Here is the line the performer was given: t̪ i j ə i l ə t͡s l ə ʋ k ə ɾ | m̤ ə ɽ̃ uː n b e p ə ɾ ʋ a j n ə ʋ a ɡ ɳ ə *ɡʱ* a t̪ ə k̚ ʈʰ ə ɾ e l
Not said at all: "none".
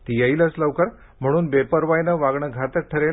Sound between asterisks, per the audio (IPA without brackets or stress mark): ɡʱ